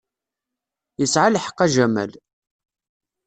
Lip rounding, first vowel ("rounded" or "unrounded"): unrounded